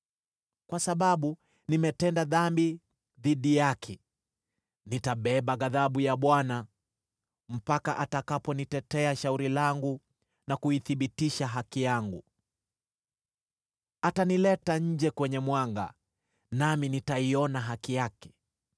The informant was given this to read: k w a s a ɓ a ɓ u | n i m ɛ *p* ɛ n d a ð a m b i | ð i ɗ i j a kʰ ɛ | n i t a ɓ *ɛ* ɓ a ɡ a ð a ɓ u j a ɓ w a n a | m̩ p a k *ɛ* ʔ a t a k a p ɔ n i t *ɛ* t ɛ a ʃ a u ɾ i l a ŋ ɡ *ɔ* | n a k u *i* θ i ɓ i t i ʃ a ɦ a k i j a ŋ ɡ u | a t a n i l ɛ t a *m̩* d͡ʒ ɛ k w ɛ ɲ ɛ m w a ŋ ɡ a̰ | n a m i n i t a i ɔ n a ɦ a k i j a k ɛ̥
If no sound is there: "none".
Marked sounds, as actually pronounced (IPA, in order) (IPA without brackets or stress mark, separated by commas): t, ɛ, a, ɛ, u, i, ɲ̩